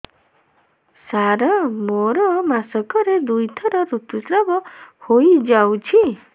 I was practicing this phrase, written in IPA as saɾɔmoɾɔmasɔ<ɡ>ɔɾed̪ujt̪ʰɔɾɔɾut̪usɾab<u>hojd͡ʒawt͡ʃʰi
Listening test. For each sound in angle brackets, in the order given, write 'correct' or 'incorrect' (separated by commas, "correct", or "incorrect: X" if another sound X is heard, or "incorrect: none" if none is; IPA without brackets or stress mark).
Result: incorrect: k, incorrect: ɔ